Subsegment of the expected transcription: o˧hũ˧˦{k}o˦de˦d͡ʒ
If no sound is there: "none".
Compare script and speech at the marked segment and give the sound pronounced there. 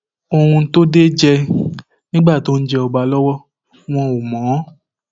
t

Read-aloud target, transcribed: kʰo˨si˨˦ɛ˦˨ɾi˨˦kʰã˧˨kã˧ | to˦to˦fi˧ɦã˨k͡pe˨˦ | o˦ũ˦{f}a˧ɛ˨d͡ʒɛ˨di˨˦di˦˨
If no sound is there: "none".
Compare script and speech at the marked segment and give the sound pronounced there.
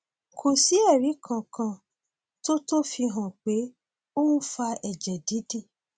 f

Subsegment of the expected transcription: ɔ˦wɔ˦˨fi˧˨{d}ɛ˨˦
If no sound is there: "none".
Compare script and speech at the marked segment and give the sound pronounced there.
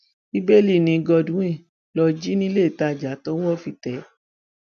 t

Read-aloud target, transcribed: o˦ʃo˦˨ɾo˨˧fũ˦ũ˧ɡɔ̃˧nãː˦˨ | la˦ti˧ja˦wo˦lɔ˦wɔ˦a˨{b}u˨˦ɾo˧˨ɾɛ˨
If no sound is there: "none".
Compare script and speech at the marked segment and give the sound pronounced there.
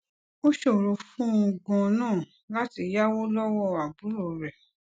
b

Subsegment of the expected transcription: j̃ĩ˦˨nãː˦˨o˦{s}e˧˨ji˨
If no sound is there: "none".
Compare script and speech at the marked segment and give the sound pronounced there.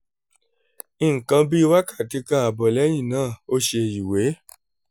ʃ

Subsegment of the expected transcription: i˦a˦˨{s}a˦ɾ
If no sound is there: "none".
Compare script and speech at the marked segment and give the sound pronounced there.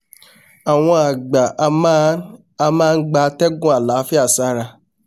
s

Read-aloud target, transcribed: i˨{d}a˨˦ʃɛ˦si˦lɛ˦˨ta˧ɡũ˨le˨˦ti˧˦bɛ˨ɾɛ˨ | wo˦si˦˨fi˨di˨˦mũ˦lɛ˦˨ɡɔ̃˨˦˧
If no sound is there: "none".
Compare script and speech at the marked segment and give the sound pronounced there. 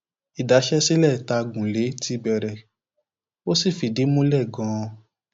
d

